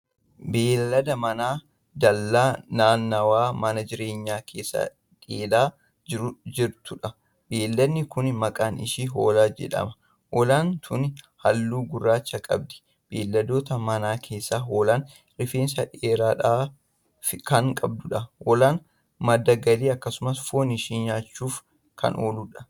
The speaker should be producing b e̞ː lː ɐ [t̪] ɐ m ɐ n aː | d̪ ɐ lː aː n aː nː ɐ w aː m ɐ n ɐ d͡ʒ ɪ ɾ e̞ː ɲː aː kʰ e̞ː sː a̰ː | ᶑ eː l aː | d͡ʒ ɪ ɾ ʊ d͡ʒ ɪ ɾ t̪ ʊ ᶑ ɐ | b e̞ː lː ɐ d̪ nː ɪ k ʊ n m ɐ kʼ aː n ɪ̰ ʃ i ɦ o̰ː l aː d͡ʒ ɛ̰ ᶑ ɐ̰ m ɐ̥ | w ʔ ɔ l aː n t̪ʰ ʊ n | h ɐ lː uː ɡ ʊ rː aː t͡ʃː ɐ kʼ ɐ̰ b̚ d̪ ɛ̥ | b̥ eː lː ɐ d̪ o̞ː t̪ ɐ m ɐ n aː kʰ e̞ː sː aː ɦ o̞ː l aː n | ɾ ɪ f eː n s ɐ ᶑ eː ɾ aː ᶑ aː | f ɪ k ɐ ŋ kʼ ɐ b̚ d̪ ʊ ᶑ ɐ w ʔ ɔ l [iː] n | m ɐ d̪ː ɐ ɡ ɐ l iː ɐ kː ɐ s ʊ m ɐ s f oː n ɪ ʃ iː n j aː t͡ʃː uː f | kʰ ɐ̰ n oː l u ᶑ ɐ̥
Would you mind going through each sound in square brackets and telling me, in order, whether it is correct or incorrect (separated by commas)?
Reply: incorrect, incorrect